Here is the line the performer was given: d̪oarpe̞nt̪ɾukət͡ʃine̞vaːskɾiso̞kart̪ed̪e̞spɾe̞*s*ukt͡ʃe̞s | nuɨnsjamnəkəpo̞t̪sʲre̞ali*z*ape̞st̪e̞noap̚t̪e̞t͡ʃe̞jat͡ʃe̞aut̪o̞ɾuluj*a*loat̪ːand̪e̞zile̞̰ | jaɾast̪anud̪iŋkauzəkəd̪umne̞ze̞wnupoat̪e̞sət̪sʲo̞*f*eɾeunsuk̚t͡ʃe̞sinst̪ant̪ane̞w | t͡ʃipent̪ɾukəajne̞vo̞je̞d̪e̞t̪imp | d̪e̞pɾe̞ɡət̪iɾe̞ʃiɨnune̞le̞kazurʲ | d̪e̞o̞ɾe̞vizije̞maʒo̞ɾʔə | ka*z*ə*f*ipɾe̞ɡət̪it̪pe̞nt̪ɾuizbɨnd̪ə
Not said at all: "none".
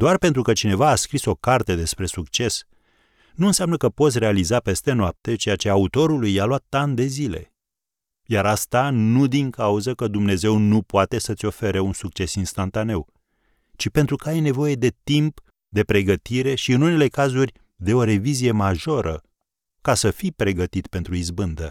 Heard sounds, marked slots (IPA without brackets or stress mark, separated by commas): s, z, a, f, s, f